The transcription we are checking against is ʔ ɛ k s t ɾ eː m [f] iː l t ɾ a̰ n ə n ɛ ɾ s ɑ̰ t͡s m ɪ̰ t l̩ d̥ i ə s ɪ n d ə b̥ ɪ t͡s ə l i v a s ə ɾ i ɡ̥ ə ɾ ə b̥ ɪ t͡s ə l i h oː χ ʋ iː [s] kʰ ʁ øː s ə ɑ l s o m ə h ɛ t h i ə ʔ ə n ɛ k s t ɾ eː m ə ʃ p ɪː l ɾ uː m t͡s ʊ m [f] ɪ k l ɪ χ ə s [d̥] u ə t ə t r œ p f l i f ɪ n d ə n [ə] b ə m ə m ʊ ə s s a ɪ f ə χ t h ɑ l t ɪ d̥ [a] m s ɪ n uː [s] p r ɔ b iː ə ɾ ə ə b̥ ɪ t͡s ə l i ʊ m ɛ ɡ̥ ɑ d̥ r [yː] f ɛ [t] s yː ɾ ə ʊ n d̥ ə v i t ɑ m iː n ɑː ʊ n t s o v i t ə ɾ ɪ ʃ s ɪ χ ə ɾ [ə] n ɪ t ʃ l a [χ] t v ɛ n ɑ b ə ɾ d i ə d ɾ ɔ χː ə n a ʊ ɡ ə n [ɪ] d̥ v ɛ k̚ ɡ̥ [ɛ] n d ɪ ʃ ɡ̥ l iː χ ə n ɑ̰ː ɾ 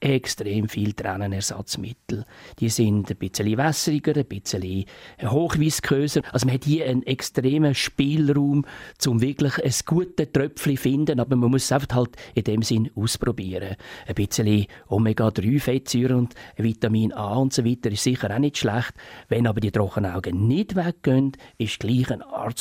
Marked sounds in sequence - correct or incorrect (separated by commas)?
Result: correct, correct, incorrect, incorrect, incorrect, incorrect, correct, correct, correct, incorrect, correct, correct, incorrect